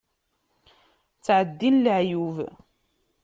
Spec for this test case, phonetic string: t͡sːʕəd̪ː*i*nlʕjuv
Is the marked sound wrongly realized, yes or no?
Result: no